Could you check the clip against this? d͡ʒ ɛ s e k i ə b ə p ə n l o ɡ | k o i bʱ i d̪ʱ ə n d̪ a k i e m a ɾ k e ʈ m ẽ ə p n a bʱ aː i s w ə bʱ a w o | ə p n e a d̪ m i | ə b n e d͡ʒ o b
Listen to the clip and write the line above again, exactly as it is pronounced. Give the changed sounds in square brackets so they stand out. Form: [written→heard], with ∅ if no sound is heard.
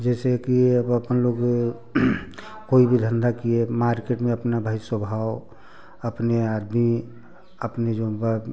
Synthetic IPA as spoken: d͡ʒ ɛ s e k i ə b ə p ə n l o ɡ | k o i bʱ i d̪ʱ ə n d̪ a k i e m a ɾ k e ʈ m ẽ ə p n a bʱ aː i s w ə bʱ a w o | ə p n e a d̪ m i | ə [b→p] n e d͡ʒ o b